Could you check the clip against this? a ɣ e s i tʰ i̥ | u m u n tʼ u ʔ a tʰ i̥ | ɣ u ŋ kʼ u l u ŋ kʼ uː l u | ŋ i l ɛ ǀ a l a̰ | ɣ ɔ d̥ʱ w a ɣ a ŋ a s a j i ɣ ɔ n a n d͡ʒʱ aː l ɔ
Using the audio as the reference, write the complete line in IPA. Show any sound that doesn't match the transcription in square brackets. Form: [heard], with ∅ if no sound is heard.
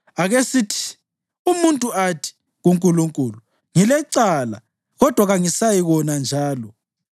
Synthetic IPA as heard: a ɣ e s i tʰ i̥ | u m u n tʼ u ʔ a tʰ i̥ | ɣ u ŋ kʼ u l u ŋ kʼ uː l u | ŋ i l ɛ ǀ a l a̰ | ɣ ɔ d̥ʱ w a ɣ a ŋ [i] s a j i ɣ ɔ n a n d͡ʒʱ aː l ɔ